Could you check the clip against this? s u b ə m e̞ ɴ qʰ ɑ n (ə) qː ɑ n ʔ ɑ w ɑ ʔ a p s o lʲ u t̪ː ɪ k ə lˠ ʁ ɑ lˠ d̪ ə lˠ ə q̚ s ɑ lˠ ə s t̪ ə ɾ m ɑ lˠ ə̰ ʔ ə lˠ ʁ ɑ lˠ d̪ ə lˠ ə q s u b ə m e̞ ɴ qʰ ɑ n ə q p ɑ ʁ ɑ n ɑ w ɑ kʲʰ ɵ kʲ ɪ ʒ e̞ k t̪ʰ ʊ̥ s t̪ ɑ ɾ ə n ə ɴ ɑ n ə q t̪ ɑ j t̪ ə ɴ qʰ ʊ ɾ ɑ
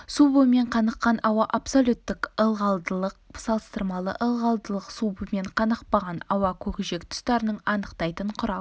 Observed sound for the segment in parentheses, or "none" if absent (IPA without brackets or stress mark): ə